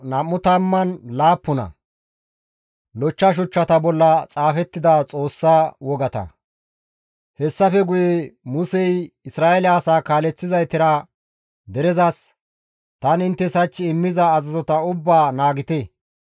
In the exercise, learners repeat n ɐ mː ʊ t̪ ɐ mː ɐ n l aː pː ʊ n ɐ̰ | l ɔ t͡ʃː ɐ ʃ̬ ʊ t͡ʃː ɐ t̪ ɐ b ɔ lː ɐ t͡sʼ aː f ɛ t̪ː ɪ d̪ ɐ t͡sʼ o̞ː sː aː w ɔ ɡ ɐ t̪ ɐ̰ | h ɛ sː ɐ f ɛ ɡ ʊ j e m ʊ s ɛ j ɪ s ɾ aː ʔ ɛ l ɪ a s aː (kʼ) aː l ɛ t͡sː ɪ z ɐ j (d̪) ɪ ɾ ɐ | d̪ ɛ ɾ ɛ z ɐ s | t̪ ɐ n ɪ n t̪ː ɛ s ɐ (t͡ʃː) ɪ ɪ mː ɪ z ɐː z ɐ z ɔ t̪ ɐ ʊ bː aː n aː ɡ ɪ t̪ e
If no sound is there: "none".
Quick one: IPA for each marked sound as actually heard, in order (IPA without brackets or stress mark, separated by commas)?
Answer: k, t̪, t͡ʃː